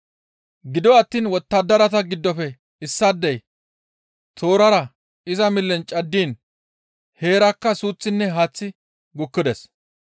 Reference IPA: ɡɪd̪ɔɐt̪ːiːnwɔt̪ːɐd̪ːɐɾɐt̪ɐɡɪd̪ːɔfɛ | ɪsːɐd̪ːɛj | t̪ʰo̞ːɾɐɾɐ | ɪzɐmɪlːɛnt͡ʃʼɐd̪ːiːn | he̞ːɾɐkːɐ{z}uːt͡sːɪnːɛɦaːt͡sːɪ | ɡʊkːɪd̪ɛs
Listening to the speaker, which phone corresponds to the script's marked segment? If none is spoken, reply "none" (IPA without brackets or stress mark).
s